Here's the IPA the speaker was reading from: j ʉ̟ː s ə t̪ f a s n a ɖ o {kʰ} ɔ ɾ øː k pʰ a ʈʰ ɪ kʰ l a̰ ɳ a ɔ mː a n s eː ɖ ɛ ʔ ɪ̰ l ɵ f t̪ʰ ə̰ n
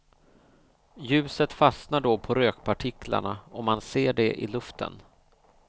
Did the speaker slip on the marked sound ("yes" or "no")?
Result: yes